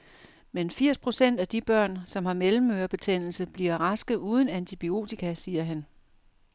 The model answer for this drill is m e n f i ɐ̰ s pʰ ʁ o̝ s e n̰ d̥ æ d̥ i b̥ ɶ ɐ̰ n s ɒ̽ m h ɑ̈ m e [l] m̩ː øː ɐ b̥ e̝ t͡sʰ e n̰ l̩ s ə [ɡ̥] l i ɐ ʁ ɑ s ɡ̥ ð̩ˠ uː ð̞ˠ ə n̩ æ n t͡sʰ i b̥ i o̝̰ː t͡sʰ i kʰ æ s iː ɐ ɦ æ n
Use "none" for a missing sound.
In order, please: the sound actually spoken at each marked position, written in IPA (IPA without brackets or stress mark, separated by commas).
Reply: l, b̥